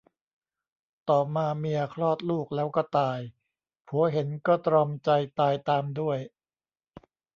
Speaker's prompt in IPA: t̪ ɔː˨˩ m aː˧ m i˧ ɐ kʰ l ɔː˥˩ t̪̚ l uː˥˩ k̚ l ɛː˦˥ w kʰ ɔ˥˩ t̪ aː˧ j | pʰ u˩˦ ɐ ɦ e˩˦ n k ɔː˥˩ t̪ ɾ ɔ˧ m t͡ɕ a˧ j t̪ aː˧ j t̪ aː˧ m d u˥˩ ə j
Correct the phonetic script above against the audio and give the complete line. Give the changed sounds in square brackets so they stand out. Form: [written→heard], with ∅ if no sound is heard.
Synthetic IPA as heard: t̪ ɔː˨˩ m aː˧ m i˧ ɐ kʰ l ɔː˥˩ t̪̚ l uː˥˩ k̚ l ɛː˦˥ w [kʰ→k] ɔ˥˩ t̪ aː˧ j | pʰ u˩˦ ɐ ɦ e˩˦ n k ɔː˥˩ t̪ ɾ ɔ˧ m t͡ɕ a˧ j t̪ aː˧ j t̪ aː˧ m d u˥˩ ə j